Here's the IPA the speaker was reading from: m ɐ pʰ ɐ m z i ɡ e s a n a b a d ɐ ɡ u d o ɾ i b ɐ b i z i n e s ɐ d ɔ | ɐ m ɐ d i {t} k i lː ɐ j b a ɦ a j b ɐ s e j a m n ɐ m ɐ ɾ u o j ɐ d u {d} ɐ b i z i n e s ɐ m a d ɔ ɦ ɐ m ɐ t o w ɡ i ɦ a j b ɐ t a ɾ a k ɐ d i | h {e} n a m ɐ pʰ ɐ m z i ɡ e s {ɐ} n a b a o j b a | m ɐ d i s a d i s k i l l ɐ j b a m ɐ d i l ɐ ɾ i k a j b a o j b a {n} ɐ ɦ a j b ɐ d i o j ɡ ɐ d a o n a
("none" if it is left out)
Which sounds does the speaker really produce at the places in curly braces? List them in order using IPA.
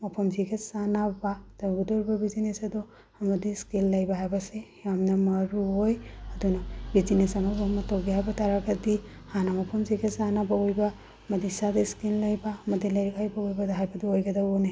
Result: s, n, a, a, d

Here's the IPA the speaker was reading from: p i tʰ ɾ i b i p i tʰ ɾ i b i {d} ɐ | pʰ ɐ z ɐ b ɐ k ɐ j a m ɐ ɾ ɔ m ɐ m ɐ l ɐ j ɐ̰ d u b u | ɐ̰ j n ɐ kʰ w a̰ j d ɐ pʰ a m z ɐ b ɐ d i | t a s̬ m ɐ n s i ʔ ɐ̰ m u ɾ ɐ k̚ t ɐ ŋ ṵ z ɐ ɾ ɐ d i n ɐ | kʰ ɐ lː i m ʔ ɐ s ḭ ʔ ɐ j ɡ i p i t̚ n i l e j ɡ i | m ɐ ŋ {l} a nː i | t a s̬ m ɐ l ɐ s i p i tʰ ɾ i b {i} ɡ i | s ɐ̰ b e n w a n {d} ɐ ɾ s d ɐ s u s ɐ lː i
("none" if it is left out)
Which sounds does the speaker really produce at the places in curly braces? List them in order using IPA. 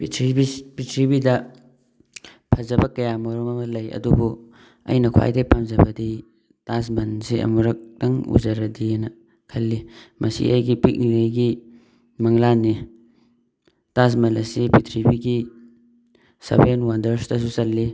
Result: d, l, i, d

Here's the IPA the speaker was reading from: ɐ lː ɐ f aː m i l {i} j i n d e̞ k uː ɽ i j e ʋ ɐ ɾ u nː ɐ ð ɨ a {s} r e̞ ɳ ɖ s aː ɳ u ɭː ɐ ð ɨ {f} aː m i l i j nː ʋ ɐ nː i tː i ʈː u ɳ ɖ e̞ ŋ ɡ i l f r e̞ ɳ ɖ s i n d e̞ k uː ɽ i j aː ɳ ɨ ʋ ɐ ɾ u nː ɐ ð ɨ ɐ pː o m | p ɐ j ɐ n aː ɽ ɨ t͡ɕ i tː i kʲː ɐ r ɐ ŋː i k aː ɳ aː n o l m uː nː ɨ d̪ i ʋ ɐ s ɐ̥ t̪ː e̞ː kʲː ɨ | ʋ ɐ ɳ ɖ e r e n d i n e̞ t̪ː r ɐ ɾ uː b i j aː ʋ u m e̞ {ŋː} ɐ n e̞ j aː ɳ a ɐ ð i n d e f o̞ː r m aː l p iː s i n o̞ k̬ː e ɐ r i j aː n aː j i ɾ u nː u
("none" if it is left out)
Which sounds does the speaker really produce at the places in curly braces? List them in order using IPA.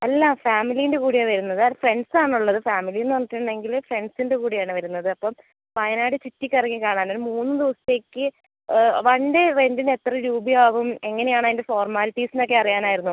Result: i, f, f, ŋː

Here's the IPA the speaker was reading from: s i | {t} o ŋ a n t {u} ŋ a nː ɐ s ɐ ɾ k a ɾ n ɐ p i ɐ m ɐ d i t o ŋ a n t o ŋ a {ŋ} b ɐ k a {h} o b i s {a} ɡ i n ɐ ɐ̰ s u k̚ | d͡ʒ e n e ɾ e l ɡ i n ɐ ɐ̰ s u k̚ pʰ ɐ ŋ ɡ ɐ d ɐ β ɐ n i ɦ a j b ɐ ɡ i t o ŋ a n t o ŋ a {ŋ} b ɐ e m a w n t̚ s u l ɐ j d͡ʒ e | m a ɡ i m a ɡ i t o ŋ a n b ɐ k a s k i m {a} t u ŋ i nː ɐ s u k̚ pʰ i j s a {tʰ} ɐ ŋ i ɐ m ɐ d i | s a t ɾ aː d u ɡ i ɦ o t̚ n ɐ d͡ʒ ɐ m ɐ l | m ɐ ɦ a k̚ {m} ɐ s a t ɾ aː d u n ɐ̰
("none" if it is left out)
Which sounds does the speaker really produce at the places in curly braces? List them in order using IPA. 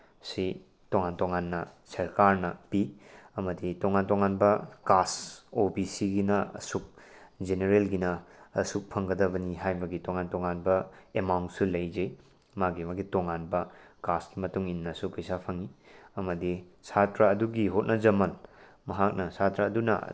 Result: t, o, n, s, i, n, ɐ, pʰ, n

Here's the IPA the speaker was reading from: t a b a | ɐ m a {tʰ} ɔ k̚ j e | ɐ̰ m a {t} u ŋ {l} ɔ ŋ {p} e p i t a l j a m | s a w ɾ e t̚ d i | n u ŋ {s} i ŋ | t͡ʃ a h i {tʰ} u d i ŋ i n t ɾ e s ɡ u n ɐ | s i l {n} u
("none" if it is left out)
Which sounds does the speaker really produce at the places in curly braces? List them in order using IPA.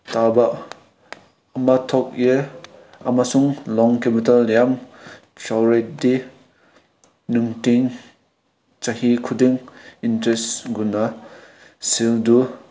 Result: tʰ, s, l, k, t, kʰ, d

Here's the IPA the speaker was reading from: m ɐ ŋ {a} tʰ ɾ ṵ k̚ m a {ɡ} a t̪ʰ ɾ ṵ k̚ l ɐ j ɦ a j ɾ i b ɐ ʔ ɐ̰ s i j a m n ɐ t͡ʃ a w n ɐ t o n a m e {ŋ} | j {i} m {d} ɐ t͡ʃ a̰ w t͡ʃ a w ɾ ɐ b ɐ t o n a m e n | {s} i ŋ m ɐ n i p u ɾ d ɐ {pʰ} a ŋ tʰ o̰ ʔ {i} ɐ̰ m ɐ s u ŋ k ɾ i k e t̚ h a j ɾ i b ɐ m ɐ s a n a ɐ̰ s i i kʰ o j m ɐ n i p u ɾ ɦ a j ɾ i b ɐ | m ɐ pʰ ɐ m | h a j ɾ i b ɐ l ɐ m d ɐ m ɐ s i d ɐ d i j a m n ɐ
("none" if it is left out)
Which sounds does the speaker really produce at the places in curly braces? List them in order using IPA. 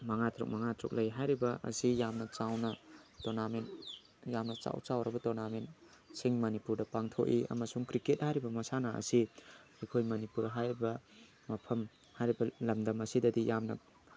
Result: a, ŋ, n, a, n, s, p, i

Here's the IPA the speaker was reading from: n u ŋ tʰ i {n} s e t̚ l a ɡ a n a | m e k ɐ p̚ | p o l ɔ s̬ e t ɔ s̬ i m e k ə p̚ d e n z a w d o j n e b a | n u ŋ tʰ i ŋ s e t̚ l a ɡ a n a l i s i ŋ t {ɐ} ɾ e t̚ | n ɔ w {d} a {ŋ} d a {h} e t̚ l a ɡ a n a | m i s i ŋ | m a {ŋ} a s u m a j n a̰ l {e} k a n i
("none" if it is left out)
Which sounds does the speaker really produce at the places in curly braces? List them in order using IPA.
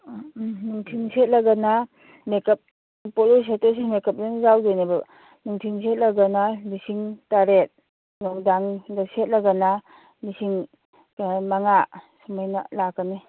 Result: ŋ, a, d, ŋ, s, ŋ, a

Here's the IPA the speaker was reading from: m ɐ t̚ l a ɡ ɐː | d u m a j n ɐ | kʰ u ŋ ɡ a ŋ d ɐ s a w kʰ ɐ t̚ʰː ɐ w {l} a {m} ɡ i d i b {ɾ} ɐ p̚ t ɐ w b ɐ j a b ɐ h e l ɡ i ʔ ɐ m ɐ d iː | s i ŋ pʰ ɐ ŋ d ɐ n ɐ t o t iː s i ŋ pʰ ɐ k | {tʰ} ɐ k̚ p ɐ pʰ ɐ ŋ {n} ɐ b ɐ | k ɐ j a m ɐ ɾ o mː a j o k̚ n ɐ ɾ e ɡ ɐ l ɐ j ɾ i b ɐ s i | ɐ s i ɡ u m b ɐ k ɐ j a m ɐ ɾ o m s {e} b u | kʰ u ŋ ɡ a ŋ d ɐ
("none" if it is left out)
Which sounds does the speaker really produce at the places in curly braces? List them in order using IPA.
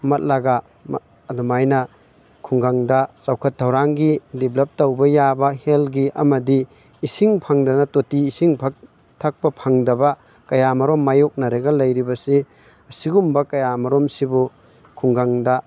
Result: ɾ, ŋ, l, tʰ, d, i

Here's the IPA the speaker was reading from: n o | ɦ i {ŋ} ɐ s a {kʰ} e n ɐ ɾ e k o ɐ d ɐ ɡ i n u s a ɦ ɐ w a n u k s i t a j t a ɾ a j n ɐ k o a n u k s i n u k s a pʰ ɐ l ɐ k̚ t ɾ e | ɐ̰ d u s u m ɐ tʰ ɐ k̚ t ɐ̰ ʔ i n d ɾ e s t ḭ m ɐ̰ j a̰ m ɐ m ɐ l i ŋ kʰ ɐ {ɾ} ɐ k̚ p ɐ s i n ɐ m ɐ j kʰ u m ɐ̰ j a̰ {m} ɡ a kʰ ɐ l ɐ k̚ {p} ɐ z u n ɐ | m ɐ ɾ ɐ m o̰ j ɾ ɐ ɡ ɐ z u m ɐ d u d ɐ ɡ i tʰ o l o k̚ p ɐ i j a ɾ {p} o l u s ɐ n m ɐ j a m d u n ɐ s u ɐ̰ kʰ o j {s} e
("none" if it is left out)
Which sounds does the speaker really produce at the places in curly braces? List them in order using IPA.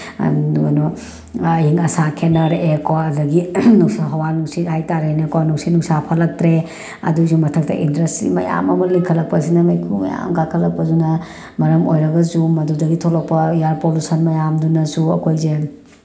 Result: ŋ, kʰ, l, m, p, p, z

